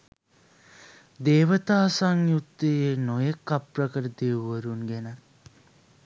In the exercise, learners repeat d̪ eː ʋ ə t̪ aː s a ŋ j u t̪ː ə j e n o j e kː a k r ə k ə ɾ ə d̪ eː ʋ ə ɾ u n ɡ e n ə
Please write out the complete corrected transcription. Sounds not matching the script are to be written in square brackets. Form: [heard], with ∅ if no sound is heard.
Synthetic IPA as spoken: d̪ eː ʋ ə t̪ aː s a ŋ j u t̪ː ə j e n o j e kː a [p] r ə k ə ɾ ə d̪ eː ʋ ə ɾ u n ɡ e n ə